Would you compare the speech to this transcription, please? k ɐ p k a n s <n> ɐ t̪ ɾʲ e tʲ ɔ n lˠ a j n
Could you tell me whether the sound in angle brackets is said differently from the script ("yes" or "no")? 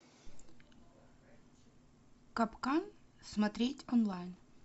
yes